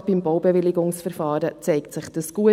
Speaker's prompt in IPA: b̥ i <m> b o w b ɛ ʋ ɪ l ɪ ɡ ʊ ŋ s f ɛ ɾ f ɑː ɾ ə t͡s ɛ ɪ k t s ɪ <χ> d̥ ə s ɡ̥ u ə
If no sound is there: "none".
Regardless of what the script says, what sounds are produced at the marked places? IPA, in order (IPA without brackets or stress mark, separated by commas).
m, χ